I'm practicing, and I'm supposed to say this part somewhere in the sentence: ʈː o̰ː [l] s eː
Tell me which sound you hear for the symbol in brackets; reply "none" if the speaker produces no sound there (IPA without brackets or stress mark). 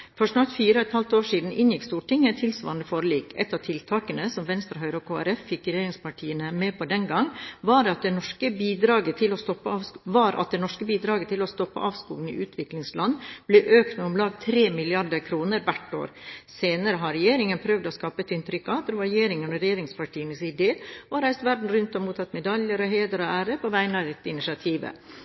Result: ɾ